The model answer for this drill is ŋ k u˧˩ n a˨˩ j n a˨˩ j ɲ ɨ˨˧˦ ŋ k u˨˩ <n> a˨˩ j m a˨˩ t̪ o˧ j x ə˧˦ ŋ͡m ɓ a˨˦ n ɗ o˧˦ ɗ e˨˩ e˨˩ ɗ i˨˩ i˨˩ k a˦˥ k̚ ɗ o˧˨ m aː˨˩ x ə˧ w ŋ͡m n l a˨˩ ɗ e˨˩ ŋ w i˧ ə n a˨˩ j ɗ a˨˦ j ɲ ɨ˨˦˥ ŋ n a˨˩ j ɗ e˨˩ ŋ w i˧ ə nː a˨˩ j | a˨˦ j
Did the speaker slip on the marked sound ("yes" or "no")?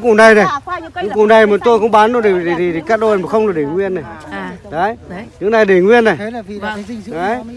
no